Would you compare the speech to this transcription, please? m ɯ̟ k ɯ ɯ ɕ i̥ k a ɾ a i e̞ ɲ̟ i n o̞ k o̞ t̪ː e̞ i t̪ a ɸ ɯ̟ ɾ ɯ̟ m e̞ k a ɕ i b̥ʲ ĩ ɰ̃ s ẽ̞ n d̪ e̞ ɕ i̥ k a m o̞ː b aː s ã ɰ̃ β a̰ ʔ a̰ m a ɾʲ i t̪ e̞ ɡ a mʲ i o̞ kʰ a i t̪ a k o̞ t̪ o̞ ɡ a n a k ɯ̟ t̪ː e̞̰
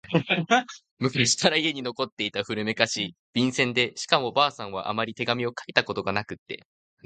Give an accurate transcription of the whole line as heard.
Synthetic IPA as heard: m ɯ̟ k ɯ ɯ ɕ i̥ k a ɾ a i e̞ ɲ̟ i n o̞ k o̞ t̪ː e̞ i t̪ a ɸ ɯ̟ ɾ ɯ̟ m e̞ k a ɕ i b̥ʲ ĩ ɰ̃ s ẽ̞ n d̪ e̞ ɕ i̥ k a m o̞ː b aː s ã ɰ̃ β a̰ ʔ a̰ m a ɾʲ i t̪ e̞ ɡ a mʲ i o̞ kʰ a i t̪ a k o̞ t̪ o̞ ɡ a n a k ɯ̟ t̪ː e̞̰